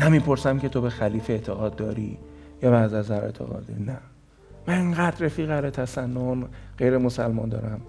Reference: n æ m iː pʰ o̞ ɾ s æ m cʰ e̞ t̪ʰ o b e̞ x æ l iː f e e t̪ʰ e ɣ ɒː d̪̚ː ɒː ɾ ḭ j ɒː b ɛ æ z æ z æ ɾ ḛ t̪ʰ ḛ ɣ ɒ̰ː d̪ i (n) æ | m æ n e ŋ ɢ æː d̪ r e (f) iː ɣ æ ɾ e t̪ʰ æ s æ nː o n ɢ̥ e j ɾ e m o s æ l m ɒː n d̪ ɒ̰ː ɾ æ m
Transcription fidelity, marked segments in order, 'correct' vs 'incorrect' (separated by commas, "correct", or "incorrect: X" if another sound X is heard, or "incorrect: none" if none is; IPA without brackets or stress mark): correct, correct